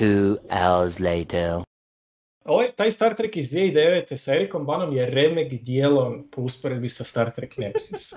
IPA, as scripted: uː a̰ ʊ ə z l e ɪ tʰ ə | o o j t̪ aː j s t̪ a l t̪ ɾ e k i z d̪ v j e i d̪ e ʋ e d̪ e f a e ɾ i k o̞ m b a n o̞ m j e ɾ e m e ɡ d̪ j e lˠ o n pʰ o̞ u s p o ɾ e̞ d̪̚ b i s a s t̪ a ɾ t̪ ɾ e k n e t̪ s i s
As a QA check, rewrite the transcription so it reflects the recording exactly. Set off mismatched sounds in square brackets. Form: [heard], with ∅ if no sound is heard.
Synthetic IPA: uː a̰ ʊ ə z l e ɪ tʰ ə | o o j t̪ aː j s t̪ a [ɾ] t̪ ɾ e k i z d̪ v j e i d̪ e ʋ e [t̪] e [s] a e ɾ i k o̞ m b a n o̞ m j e ɾ e m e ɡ d̪ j e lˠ o n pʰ o̞ u s p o ɾ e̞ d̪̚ b i s a s t̪ a ɾ t̪ ɾ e k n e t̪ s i s